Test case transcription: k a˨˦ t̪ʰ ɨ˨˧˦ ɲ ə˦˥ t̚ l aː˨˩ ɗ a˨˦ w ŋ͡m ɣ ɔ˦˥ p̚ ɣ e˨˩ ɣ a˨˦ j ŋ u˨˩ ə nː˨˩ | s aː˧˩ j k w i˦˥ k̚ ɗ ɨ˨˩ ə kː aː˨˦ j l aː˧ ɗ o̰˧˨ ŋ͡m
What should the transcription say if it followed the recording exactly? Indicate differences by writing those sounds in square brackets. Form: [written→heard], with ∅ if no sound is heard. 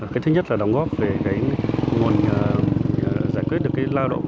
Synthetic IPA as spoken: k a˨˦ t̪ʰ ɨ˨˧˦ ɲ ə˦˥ t̚ l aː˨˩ ɗ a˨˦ w ŋ͡m ɣ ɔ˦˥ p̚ [ɣ→v] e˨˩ ɣ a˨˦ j ŋ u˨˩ ə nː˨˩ | [s→z] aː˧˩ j k w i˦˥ [k̚→t̚] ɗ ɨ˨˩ ə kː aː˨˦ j l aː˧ ɗ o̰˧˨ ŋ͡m